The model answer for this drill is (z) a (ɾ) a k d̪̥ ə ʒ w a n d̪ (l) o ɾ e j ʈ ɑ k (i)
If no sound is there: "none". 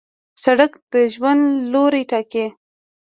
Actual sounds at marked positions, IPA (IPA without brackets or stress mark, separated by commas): s, ɽ, l, e